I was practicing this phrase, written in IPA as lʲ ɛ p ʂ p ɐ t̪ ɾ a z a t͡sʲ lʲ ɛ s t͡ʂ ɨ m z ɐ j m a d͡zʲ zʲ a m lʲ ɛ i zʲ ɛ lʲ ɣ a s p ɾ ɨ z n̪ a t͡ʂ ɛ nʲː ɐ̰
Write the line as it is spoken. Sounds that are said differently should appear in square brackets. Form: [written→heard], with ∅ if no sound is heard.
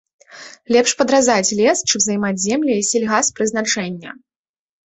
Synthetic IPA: lʲ ɛ p ʂ p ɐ [t̪→d̪] ɾ a z a t͡sʲ lʲ ɛ s t͡ʂ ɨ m z ɐ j m a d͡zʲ zʲ [a→ɛ] m lʲ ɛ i [zʲ→sʲ] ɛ lʲ ɣ a s p ɾ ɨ z n̪ a t͡ʂ ɛ nʲː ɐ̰